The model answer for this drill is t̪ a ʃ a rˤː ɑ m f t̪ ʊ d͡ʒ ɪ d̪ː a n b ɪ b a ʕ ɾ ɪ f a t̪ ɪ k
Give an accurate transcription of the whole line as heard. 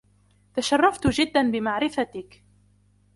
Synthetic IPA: t̪ a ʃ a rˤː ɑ f t̪ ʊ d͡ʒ ɪ d̪ː a n b ɪ m a ʕ ɾ ɪ f a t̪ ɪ k